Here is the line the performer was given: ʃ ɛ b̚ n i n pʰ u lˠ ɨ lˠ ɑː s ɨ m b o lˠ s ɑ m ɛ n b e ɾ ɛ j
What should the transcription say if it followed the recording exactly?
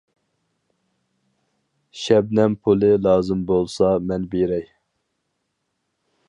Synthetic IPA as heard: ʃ ɛ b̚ n ɛ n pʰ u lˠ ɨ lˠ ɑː z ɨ m b o lˠ s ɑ m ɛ n b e ɾ ɛ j